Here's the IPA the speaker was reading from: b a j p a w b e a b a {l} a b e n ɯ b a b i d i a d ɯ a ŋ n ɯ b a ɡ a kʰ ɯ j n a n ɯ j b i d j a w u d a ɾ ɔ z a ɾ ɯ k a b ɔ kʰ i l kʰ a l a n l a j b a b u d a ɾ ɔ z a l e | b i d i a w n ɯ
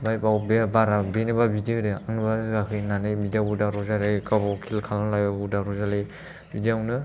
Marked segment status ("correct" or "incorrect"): incorrect